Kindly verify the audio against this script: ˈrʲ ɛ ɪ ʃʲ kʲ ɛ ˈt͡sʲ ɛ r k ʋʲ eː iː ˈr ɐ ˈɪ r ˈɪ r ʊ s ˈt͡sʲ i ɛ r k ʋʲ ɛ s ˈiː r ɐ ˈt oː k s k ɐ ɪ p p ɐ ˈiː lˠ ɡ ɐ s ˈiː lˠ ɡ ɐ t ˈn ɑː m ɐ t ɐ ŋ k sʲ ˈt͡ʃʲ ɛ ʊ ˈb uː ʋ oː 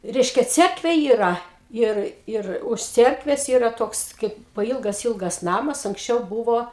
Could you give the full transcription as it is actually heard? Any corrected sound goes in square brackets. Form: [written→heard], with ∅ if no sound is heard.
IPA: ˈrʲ ɛ ɪ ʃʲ kʲ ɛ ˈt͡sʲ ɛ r k ʋʲ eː iː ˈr ɐ ˈɪ r ˈɪ r ʊ [s→ʃ] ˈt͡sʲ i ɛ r k ʋʲ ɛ s ˈiː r ɐ ˈt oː k s k ɐ ɪ p p ɐ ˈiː lˠ ɡ ɐ s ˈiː lˠ ɡ ɐ [t→s] ˈn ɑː m ɐ [t→s] ɐ ŋ k sʲ ˈt͡ʃʲ ɛ ʊ ˈb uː ʋ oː

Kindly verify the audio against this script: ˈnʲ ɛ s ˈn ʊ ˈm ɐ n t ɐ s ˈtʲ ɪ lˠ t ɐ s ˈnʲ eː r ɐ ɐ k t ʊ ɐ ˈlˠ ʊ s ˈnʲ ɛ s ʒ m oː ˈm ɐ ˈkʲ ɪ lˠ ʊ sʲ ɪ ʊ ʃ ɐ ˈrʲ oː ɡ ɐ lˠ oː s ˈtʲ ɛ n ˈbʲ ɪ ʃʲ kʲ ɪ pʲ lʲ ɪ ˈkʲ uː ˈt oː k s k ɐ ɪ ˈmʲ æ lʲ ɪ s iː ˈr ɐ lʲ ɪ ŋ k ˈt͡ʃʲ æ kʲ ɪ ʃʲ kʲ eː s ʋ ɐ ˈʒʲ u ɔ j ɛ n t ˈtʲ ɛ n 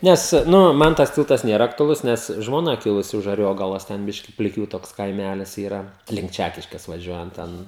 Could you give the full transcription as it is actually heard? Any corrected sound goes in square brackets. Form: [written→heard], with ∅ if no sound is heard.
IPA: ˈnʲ ɛ s ˈn ʊ ˈm ɐ n t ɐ s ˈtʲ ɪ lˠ t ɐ s ˈnʲ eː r ɐ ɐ k t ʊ ɐ ˈlˠ ʊ s ˈnʲ ɛ s ʒ m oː [ˈm→ˈn] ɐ ˈkʲ ɪ lˠ ʊ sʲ ɪ ʊ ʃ ɐ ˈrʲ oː ɡ ɐ lˠ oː s ˈtʲ ɛ n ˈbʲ ɪ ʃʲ kʲ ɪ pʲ lʲ ɪ ˈkʲ uː ˈt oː k s k ɐ ɪ ˈmʲ æ lʲ ɪ s iː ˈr ɐ lʲ ɪ ŋ k ˈt͡ʃʲ æ kʲ ɪ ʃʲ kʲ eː s ʋ ɐ ˈʒʲ u ɔ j ɛ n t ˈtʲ ɛ n

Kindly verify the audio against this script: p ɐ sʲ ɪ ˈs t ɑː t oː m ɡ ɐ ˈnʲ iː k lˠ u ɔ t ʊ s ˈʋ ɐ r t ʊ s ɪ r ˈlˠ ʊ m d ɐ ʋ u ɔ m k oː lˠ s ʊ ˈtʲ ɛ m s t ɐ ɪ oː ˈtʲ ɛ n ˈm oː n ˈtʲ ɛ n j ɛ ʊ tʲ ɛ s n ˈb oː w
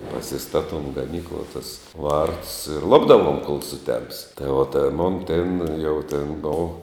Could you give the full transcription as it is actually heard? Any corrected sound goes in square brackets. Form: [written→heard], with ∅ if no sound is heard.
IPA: p ɐ sʲ ɪ ˈs t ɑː t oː m ɡ ɐ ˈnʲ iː k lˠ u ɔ t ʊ s ˈʋ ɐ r t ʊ s ɪ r ˈlˠ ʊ [m→b] d ɐ ʋ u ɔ m k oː lˠ s ʊ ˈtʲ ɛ m s t ɐ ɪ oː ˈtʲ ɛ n ˈm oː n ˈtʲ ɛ n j ɛ ʊ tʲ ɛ [s→∅] n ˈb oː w

